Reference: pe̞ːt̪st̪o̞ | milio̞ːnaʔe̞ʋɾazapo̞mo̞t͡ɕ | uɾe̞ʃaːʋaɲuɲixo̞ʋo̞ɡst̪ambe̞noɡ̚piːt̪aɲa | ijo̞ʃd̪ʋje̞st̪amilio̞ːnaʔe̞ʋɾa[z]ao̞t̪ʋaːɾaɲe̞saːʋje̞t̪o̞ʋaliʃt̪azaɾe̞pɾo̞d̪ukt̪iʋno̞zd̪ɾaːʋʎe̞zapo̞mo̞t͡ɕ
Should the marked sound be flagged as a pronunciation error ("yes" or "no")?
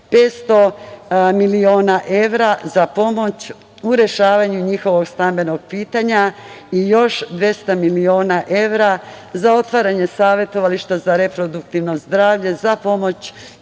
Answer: no